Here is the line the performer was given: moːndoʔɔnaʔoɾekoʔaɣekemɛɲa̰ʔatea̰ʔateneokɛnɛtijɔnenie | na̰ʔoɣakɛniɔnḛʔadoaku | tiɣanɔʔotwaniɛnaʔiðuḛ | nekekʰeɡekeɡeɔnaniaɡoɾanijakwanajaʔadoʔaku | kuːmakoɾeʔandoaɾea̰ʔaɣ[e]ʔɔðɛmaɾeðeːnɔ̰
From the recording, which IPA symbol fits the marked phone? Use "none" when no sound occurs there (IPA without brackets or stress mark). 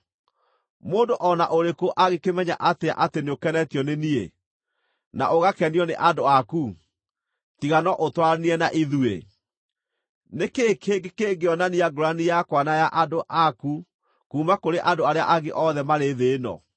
e